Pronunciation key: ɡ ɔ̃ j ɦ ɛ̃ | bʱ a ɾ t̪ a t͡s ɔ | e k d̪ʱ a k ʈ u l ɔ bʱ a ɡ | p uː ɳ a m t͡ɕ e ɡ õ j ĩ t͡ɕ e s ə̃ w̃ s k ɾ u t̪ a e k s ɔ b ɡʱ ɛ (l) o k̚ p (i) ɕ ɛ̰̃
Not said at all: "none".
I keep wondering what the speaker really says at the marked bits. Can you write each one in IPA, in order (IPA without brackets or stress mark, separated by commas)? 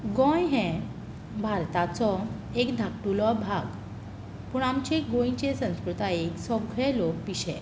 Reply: l, i